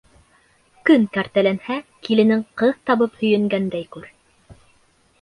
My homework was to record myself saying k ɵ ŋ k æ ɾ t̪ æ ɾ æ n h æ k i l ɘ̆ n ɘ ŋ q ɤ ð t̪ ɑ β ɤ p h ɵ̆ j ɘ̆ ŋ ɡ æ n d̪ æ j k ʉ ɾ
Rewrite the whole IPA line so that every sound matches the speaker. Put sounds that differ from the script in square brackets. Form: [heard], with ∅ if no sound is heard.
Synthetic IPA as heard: k ɵ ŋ k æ ɾ t̪ æ [l] æ n h æ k i l ɘ̆ n ɘ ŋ q ɤ ð t̪ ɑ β ɤ p h ɵ̆ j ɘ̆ ŋ ɡ æ n d̪ æ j k ʉ ɾ